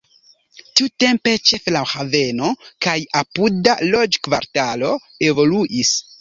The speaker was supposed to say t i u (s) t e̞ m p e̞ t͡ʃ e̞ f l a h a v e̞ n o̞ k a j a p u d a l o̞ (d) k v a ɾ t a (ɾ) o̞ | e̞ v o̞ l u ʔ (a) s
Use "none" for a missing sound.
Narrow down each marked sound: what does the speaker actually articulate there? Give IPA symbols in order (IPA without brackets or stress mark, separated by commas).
none, d͡ʒ, l, i